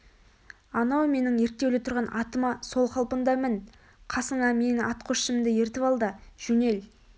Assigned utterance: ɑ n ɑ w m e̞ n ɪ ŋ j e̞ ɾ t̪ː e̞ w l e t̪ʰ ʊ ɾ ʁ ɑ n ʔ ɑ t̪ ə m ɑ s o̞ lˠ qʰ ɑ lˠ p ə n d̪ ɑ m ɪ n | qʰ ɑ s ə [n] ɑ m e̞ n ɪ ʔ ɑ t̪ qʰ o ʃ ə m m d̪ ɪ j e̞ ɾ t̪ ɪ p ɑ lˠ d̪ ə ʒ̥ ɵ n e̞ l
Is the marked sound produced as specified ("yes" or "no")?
no